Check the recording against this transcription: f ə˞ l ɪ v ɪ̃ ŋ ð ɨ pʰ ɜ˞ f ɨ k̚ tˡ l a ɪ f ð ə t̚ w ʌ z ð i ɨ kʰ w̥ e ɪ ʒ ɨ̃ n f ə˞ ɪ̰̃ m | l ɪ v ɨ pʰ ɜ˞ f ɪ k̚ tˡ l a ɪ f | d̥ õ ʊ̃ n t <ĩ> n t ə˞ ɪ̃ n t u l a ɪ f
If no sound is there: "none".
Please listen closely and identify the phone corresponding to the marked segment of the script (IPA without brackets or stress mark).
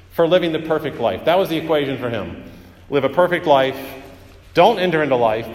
ɛ̃